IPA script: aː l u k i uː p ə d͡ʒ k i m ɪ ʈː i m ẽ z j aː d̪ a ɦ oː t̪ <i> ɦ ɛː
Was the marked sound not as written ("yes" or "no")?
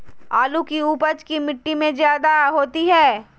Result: no